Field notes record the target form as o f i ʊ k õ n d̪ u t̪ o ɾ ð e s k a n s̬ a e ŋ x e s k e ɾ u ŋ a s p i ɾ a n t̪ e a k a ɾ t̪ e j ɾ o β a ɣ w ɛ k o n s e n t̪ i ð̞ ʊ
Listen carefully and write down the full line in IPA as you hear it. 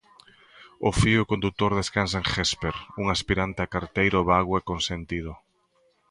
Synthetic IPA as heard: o f i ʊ k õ n d̪ u t̪ o ɾ ð e s k a n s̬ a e ŋ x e s p e ɾ u ŋ a s p i ɾ a n t̪ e a k a ɾ t̪ e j ɾ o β a ɣ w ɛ k o n s e n t̪ i ð̞ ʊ